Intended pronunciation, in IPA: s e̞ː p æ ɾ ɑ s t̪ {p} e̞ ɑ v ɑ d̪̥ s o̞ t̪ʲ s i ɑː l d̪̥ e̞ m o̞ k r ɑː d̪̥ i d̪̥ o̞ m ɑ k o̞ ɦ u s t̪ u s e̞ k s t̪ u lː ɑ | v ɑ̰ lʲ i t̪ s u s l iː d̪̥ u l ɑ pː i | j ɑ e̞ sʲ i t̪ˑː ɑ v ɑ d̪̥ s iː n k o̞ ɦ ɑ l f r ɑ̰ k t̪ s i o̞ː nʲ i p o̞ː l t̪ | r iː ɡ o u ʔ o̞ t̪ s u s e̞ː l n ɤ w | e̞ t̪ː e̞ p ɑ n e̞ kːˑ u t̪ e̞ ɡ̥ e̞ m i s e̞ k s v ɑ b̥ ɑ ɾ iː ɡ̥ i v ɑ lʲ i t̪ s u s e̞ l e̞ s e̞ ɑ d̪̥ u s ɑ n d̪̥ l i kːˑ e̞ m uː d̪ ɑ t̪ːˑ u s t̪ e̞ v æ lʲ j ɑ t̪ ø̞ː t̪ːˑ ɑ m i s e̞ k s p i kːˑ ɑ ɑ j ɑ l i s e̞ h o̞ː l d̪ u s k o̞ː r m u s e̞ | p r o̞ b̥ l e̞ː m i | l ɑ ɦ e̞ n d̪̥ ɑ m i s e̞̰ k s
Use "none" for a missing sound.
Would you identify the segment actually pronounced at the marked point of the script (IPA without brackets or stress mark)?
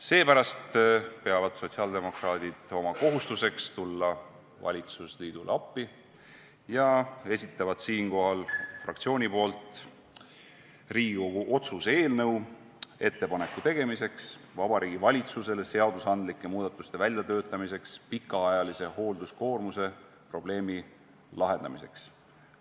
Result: p